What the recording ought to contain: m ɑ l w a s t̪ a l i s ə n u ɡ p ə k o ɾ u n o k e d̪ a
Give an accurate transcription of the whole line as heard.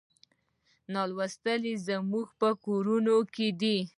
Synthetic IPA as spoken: n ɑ l w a s t̪ ə l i z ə m u ɡ p ə k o ɾ u n o k e d̪ i